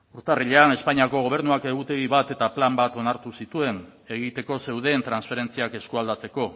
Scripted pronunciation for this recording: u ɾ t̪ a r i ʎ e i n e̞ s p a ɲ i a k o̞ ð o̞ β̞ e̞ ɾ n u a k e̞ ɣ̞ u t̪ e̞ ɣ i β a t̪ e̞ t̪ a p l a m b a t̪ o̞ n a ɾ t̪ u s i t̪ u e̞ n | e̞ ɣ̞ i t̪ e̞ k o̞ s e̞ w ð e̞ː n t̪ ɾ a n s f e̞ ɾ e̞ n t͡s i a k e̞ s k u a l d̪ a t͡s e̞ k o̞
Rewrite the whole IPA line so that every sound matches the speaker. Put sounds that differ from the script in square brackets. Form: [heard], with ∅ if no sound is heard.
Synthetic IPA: u ɾ t̪ a r i ʎ e [a] n e̞ s p a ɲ i a k o̞ [ɣ] o̞ β̞ e̞ ɾ n u a k e̞ ɣ̞ u t̪ e̞ ɣ i β a t̪ e̞ t̪ a p l a m b a t̪ o̞ n a ɾ t̪ u s i t̪ u e̞ n | e̞ ɣ̞ i t̪ e̞ k o̞ s e̞ w ð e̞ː n t̪ ɾ a n s f e̞ ɾ e̞ n t͡s i a k e̞ s k u a l d̪ a t͡s e̞ k o̞